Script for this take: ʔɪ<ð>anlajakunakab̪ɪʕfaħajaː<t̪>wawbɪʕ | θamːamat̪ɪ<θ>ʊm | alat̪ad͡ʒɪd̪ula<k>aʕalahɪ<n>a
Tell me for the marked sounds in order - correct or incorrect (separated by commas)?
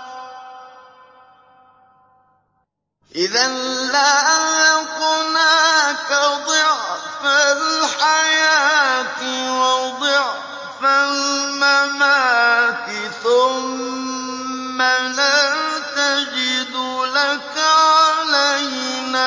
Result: correct, correct, correct, correct, correct